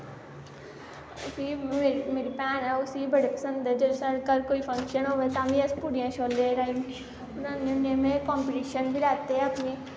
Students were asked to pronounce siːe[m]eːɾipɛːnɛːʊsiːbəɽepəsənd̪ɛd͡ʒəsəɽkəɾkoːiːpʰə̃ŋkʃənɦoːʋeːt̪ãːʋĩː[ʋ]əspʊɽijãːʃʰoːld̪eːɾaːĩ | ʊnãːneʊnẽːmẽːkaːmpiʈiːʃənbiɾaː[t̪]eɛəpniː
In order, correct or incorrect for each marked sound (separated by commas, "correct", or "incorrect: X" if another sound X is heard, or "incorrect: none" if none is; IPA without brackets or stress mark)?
correct, incorrect: none, correct